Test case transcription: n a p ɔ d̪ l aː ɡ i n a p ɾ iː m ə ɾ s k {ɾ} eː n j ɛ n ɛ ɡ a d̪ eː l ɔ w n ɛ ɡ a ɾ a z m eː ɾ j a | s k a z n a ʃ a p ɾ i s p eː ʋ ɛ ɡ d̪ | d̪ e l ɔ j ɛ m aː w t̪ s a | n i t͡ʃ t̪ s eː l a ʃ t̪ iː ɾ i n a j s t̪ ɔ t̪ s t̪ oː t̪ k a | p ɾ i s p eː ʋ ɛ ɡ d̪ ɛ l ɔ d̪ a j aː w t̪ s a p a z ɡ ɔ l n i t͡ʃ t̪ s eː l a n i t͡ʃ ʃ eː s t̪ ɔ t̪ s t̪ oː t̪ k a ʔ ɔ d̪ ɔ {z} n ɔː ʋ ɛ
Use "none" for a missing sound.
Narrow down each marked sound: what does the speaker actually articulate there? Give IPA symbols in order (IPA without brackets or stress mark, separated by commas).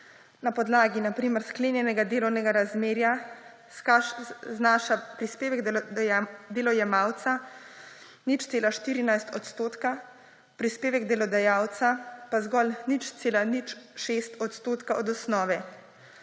l, s